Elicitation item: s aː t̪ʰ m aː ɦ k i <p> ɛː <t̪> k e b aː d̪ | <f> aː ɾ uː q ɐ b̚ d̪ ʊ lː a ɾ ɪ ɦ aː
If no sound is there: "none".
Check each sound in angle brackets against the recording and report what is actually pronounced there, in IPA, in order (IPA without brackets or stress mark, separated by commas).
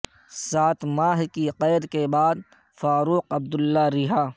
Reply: q, d̪, f